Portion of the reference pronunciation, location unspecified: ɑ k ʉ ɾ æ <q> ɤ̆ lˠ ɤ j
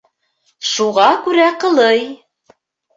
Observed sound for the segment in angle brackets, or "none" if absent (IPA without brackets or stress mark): q